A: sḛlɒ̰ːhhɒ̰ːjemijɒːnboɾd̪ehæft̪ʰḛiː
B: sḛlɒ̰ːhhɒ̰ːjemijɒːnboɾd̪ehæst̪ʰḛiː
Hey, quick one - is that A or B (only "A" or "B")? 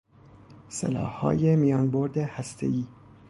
B